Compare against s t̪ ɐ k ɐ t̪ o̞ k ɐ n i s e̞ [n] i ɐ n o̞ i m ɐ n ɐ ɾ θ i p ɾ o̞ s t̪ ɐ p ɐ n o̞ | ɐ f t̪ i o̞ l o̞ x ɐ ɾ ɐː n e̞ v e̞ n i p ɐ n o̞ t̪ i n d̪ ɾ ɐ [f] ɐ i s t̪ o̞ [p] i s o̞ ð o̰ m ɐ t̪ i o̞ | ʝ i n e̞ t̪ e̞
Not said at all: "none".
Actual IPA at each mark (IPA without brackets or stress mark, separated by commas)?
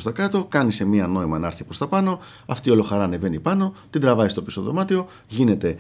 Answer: m, v, p